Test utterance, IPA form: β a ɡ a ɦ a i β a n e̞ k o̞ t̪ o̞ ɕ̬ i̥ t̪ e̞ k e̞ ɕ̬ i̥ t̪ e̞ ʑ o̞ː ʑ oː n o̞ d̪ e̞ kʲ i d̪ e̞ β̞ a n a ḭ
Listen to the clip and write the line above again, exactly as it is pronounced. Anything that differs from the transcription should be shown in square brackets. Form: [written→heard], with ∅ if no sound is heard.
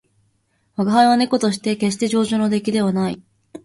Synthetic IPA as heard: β a ɡ a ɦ a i β a n e̞ k o̞ t̪ o̞ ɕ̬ i̥ t̪ e̞ k e̞ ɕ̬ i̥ t̪ e̞ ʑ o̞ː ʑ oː n o̞ d̪ e̞ kʲ i d̪ e̞ β̞ a n a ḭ

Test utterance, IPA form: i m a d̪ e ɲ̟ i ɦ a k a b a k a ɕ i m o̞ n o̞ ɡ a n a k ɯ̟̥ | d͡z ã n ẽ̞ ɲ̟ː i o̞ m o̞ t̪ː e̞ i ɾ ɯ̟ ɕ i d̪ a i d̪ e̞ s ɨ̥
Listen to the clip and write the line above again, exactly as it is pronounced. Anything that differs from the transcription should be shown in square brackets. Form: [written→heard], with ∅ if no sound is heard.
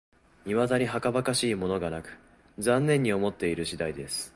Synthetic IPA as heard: i m a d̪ [e→a] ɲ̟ i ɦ a k a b a k a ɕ [i→iː] m o̞ n o̞ ɡ a n a k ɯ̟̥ | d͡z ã [n→nː] ẽ̞ ɲ̟ː i o̞ m o̞ t̪ː e̞ i ɾ ɯ̟ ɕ i d̪ a i d̪ e̞ s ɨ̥

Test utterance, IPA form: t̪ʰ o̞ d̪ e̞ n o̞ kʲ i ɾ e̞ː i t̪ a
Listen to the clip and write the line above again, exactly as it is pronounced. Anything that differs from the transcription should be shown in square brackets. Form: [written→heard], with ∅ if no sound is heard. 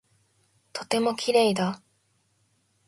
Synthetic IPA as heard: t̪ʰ o̞ [d̪→t̪] e̞ [n→m] o̞ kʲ i ɾ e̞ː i [t̪→d̪] a

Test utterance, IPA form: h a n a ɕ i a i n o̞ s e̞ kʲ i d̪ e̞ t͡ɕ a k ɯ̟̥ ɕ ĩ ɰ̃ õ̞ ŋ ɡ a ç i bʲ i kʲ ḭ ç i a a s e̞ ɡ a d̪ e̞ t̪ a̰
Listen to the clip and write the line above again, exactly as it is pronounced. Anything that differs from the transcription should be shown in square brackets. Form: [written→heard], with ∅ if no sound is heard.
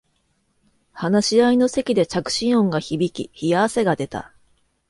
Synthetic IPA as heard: h a n a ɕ i a i n o̞ s e̞ kʲ i d̪ e̞ t͡ɕ a k ɯ̟̥ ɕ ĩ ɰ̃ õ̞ ŋ ɡ a ç i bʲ i kʲ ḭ ç i a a s e̞ ɡ a d̪ e̞ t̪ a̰

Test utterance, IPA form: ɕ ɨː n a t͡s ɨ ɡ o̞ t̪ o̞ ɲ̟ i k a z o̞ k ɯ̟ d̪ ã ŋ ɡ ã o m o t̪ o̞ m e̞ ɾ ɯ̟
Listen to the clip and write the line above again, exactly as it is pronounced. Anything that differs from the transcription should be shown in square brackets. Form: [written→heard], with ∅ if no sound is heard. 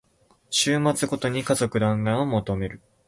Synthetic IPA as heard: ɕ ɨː [n→m] a t͡s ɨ ɡ o̞ t̪ o̞ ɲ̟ i k a z o̞ k ɯ̟ d̪ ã ŋ ɡ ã o m o t̪ o̞ m e̞ ɾ ɯ̟

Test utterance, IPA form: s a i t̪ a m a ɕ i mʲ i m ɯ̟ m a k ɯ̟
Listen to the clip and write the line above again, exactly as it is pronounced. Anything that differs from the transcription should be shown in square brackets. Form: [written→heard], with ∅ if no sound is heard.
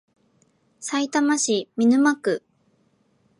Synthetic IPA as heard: s a i t̪ a m a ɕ i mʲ i [m→n] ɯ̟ m a k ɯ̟

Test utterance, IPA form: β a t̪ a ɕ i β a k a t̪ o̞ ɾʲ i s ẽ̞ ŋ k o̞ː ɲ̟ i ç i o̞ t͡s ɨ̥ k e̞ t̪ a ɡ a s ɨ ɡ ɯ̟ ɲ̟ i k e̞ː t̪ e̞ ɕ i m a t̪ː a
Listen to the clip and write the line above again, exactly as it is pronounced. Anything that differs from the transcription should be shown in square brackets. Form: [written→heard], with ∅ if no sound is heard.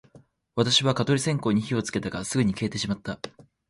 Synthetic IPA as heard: β a t̪ a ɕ i β a k a t̪ o̞ ɾʲ i s ẽ̞ ŋ k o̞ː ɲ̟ i ç i o̞ t͡s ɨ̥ k e̞ t̪ a ɡ a s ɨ ɡ ɯ̟ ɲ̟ i k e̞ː t̪ e̞ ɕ i m a t̪ː a

